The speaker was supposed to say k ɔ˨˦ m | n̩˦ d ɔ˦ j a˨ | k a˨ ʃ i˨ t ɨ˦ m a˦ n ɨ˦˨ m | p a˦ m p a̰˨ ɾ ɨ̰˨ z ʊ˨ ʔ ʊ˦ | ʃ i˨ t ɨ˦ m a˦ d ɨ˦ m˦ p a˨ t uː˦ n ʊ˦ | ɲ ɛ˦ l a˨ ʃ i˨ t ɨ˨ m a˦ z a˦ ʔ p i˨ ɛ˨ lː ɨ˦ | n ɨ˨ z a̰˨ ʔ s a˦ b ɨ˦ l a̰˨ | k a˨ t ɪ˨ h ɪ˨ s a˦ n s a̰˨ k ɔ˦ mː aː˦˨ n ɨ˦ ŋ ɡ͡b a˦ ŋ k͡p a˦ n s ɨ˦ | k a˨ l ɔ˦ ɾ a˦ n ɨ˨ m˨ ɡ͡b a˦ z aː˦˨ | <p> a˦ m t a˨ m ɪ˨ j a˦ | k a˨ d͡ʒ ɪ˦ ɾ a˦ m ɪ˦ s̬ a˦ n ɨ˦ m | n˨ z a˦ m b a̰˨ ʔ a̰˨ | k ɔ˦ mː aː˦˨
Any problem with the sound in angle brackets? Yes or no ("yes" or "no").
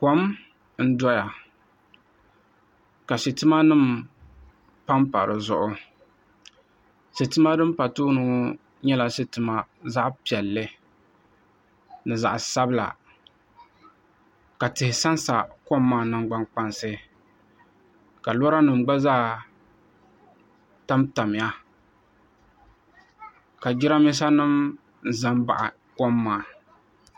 yes